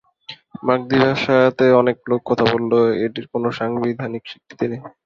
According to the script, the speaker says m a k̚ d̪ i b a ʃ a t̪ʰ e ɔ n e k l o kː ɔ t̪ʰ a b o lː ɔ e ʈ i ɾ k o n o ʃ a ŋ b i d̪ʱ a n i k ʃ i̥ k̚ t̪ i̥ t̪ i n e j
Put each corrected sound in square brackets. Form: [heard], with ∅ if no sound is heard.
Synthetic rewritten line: m a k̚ d̪ i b a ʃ a [t̪] e ɔ n e k l o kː ɔ t̪ʰ a b o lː [o] e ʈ i ɾ k o n o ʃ a ŋ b i d̪ʱ a n i k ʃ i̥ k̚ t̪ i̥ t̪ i n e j

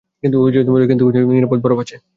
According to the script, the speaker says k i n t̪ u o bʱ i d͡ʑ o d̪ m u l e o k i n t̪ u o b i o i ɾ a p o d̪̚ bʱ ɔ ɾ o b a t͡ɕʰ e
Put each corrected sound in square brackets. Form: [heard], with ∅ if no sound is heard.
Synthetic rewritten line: k i n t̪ u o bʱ i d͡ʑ o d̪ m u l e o k i n t̪ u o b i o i ɾ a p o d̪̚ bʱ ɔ ɾ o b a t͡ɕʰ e

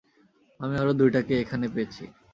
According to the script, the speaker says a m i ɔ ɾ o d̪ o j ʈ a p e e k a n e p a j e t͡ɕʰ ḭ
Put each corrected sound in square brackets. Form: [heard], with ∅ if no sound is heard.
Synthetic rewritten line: a m i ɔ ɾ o d̪ [u] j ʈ a [k] e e [kʰ] a n e p [e] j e t͡ɕʰ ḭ

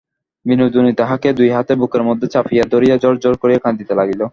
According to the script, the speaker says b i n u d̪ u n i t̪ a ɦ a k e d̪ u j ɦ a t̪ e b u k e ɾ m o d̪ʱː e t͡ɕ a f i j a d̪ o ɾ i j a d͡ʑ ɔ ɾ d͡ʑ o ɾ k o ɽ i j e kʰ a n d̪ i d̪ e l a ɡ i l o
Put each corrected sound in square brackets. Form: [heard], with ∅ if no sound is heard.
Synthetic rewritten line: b i n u d̪ u n i t̪ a ɦ a k e d̪ u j ɦ a t̪ e b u k e ɾ m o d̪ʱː e t͡ɕ a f i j a d̪ o ɾ i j a d͡ʑ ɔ ɾ d͡ʑ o ɾ k o [ɾ] i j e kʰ a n d̪ i [t̪] e l a ɡ i l o

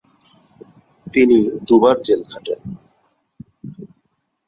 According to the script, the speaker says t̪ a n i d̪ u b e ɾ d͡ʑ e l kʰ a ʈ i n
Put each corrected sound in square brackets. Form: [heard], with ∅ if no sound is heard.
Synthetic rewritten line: t̪ [i] n i d̪ u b [a] ɾ d͡ʑ e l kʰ a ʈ [e] n

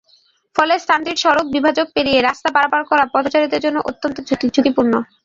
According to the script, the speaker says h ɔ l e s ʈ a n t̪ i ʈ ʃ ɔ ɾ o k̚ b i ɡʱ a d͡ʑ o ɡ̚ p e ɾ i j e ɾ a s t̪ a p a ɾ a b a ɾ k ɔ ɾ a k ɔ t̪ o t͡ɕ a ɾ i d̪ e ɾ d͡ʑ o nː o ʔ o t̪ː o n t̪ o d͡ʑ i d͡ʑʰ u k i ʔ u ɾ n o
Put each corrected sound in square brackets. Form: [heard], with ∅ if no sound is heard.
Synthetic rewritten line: [f] ɔ l e s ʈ a n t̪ i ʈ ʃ ɔ ɾ o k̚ b i [bʱ] a d͡ʑ o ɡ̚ p e ɾ i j e ɾ a s t̪ a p a ɾ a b a ɾ k ɔ ɾ a [p] ɔ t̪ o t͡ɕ a ɾ i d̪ e ɾ d͡ʑ o nː o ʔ o t̪ː o n t̪ o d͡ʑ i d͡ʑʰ u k i [p] u ɾ n o

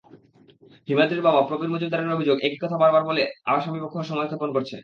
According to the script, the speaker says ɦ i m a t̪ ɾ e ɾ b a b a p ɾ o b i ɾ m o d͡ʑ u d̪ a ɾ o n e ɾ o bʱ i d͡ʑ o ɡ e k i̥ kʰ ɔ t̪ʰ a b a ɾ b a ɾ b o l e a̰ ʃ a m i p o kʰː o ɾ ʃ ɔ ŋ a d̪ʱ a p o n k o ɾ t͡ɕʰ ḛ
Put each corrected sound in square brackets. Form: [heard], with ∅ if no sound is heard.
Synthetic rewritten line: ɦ i m a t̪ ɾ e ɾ b a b a p ɾ o b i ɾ m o d͡ʑ u d̪ a ɾ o n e ɾ o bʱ i d͡ʑ o ɡ e k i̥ [k] ɔ t̪ʰ a b a ɾ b a ɾ b o l e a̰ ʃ a m i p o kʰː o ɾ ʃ ɔ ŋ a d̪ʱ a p o n k o ɾ t͡ɕʰ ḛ

